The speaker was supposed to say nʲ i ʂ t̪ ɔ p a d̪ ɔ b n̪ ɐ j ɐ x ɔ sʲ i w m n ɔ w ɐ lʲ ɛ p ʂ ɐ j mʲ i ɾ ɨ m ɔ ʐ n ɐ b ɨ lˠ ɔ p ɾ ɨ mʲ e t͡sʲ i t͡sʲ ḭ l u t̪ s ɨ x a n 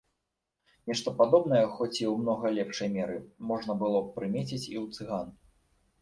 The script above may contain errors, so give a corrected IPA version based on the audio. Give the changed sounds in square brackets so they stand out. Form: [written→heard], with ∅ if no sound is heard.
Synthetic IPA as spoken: nʲ [i→ɛ] ʂ t̪ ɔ p a d̪ ɔ b n̪ ɐ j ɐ x ɔ [sʲ→t͡sʲ] i w m n ɔ [w→ɣ] ɐ lʲ ɛ p ʂ ɐ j mʲ [i→ɛ] ɾ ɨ m ɔ ʐ n ɐ b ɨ lˠ ɔ p ɾ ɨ mʲ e t͡sʲ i t͡sʲ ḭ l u t̪ s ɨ [x→ɣ] a n